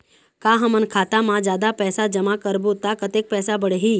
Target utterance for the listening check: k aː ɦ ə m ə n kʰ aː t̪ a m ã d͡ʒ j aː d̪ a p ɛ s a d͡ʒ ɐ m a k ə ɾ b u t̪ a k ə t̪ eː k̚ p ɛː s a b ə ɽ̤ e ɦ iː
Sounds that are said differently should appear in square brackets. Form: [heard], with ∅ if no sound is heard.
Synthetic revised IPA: k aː ɦ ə m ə n kʰ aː t̪ a m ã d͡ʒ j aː d̪ a p [ɛː] s a d͡ʒ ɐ m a k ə ɾ b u t̪ a k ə t̪ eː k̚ p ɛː s a b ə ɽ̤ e ɦ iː